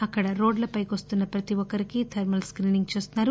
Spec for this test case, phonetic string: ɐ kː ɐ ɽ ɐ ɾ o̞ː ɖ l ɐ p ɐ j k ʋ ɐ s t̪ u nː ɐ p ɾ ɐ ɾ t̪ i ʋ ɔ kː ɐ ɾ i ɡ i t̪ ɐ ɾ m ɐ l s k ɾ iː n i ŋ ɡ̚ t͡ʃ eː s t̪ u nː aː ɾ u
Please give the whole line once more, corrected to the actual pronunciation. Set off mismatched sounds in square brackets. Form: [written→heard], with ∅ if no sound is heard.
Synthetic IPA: ɐ kː ɐ ɽ ɐ ɾ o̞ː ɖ l ɐ p ɐ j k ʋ ɐ s t̪ u nː ɐ p ɾ ɐ [ɾ→∅] t̪ i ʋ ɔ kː ɐ ɾ i [ɡ→k] i [t̪→t̪ʰ] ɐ ɾ m ɐ l s k ɾ iː n i ŋ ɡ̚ t͡ʃ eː s t̪ u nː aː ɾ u